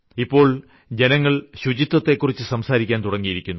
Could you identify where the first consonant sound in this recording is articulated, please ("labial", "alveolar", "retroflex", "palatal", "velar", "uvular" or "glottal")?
labial